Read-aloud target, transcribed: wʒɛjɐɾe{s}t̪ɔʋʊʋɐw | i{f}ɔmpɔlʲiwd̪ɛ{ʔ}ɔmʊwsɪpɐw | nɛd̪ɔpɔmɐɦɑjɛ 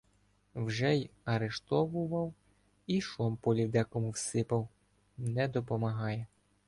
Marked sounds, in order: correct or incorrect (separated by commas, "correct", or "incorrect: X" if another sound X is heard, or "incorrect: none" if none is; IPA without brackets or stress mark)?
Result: incorrect: ʃ, incorrect: ʃ, incorrect: k